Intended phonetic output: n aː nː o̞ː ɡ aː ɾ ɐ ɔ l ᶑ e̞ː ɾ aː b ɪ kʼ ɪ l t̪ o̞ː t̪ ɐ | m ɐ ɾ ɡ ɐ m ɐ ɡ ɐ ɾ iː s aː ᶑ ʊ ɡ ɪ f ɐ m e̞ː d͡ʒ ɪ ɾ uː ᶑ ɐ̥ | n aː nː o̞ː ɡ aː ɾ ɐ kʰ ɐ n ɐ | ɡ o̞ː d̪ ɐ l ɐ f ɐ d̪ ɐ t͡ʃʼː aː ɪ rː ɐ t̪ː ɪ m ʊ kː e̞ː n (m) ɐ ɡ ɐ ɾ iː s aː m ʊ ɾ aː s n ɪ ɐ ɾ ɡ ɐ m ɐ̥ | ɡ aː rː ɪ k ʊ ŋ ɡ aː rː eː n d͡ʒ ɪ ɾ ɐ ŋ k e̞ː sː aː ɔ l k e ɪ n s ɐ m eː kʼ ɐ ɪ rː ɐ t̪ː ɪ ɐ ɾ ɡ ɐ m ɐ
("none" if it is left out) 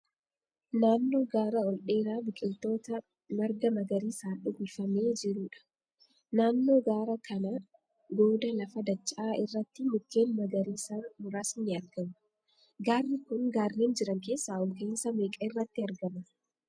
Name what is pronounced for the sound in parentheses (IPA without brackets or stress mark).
m